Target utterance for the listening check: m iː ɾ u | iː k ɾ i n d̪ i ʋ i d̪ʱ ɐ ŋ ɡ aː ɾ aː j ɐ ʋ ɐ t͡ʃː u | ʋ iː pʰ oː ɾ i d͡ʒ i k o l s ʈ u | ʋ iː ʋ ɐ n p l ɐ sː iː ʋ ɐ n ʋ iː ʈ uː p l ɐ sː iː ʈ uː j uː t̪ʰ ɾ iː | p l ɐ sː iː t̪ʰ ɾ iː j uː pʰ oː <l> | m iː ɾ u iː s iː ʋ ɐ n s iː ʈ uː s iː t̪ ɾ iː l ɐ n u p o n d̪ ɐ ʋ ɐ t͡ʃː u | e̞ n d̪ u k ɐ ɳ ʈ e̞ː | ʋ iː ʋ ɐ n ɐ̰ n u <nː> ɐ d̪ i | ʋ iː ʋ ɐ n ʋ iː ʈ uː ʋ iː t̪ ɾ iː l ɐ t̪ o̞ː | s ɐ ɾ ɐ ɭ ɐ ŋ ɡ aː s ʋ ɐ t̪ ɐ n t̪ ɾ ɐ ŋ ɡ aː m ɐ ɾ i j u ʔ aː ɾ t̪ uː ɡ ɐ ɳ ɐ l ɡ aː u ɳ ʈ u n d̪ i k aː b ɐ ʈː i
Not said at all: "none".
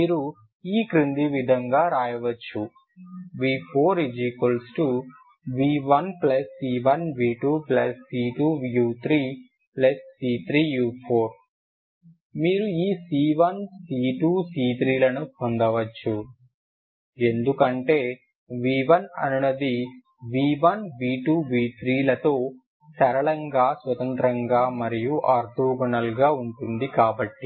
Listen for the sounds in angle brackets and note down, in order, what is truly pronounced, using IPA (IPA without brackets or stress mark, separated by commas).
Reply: ɾ, n